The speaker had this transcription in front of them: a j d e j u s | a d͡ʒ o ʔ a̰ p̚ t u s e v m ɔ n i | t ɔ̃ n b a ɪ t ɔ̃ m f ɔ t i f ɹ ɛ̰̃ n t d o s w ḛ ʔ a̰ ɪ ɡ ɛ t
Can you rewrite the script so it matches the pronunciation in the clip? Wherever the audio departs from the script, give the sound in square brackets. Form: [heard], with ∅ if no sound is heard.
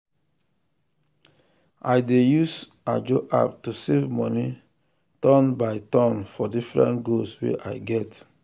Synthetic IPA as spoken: a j d e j u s | a d͡ʒ o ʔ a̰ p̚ t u s e v m ɔ n i | t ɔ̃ n b a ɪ t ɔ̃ [n] f ɔ [d] i f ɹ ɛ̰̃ n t [ɡ] o s w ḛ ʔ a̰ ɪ ɡ ɛ t

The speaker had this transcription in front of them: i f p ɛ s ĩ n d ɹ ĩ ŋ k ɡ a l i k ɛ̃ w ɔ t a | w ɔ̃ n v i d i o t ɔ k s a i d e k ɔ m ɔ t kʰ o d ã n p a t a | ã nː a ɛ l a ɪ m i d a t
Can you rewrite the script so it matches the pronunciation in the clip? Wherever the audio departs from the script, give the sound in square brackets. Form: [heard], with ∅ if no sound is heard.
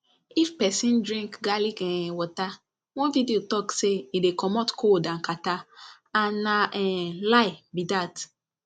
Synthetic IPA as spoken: i f p ɛ s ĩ n d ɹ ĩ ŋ k ɡ a l i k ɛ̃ w ɔ t a | w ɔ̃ n v i d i o t ɔ k s [e] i d e k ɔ m ɔ t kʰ o d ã n [k] a t a | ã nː a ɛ l a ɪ [b] i d a t

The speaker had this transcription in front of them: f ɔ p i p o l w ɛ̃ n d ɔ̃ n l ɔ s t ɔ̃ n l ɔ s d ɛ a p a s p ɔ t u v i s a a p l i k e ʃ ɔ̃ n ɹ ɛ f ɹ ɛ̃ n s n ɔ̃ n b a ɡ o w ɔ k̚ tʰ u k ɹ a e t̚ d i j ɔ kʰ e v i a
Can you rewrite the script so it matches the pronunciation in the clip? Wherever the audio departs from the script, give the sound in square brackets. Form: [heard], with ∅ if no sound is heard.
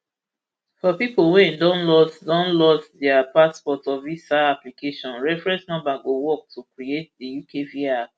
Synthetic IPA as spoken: f ɔ p i p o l w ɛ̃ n d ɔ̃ n l ɔ s [d] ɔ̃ n l ɔ s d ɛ a p a s p ɔ t [ɔ] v i s a a p l i k e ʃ ɔ̃ n ɹ ɛ f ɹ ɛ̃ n s n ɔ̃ [m] b a ɡ o w ɔ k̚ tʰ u k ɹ [i] e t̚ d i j [u] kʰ e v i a

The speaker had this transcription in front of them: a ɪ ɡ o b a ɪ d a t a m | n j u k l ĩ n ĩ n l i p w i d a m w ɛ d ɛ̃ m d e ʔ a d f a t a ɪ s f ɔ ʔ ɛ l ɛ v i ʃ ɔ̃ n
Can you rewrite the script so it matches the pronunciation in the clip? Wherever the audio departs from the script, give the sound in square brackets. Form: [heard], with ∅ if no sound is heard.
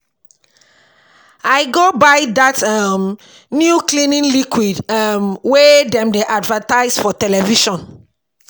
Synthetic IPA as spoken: a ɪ ɡ o b a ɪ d a t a m | n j u k l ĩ n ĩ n l i [k] w i d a m w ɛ d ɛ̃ m d e ʔ a d [v] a t a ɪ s f ɔ [t] ɛ l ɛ v i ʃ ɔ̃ n

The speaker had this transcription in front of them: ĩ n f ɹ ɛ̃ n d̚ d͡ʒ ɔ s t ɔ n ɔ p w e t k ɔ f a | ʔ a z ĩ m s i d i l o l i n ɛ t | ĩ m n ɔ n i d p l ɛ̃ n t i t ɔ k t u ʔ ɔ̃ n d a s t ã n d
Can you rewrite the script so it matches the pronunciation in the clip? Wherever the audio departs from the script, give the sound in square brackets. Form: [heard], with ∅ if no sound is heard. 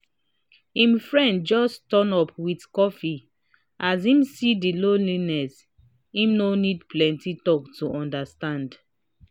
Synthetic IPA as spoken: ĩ [m] f ɹ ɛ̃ n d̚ d͡ʒ ɔ s t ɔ n ɔ p w [i] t k ɔ f [i] | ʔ a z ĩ m s i d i l o l i n ɛ [s] | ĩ m n [o] n i d p l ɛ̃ n t i t ɔ k t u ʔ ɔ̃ n d a s t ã n d

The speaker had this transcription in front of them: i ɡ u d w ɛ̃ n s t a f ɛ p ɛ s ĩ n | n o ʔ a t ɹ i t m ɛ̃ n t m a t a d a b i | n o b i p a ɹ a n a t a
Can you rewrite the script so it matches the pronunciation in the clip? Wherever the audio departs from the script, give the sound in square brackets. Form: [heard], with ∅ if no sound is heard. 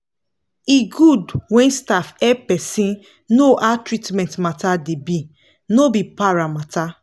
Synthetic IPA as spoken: i ɡ u d w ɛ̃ n s t a f ɛ p ɛ s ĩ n | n o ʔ a t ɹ i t m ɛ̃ n t m a t a d [e] b i | n o b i p a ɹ a [m] a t a

